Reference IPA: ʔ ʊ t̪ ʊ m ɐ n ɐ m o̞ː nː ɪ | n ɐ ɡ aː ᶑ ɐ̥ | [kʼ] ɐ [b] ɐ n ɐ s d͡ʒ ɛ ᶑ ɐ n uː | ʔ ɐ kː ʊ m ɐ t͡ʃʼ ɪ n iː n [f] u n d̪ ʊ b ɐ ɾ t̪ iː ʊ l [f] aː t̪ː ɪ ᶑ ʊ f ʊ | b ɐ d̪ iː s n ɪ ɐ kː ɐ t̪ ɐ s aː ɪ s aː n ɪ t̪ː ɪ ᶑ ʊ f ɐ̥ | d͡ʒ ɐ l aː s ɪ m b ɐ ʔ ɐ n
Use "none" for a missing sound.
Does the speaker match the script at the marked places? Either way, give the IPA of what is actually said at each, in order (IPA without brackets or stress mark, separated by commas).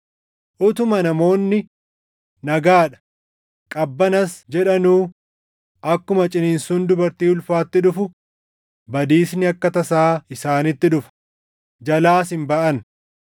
kʼ, bː, s, f